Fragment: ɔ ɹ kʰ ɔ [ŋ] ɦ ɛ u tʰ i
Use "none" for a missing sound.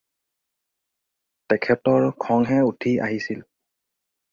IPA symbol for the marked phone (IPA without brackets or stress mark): ŋ